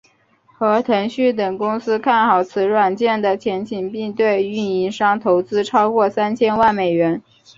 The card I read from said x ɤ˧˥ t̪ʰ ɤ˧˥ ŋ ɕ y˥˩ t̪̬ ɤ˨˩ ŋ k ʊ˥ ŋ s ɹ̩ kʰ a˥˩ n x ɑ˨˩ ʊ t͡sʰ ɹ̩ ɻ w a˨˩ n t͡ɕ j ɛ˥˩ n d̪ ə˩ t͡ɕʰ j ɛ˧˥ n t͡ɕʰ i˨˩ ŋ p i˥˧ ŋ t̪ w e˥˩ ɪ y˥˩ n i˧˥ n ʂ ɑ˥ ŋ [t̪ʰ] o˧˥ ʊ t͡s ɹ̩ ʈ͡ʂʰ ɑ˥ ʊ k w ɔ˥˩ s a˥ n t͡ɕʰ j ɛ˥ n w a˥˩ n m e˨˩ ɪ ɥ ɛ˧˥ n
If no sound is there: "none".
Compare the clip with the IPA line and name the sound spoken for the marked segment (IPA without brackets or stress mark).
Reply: t̪ʰ